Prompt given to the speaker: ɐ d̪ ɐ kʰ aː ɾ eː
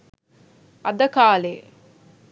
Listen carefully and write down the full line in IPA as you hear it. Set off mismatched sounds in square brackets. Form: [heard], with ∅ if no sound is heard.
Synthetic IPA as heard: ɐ d̪ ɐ [k] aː [l] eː